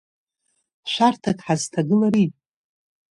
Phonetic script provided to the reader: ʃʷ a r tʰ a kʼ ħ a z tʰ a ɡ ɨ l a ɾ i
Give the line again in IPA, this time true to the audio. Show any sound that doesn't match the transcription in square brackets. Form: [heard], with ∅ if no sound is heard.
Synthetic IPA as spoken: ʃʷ a r tʰ a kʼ ħ a z tʰ a ɡ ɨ l a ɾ i